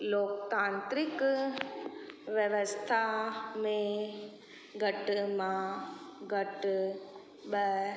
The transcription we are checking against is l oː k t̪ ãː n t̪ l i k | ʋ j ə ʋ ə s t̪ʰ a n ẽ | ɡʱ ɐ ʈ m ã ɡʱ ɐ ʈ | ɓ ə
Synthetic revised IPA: l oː k t̪ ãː n t̪ ɾ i k | ʋ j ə ʋ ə s t̪ʰ a m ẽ | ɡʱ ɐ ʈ m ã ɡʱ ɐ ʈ | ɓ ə